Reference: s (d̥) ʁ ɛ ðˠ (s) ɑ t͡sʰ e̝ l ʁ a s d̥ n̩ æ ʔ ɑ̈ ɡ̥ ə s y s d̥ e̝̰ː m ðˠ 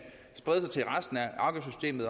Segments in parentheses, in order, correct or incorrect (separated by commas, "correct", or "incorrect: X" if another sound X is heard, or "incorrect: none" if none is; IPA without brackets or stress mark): incorrect: b̥, correct